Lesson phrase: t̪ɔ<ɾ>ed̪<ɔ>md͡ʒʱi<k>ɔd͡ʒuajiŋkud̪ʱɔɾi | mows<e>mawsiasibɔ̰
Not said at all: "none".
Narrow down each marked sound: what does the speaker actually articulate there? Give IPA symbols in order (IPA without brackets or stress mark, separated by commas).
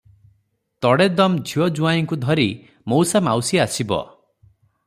ɽ, ɔ, none, a